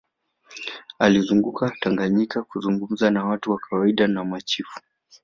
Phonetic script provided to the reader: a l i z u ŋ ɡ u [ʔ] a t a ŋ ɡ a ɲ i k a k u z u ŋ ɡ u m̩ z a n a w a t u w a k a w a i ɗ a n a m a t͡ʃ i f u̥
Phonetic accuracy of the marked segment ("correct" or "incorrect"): incorrect